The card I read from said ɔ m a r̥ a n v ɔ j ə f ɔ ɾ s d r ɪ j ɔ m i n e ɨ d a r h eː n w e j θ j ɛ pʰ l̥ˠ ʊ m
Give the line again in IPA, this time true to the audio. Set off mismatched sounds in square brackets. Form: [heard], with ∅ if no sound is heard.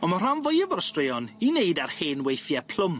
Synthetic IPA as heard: ɔ m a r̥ a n v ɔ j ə [v] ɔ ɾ s [t] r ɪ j ɔ [n] i n e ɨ d a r h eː n w e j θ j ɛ pʰ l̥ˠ ʊ m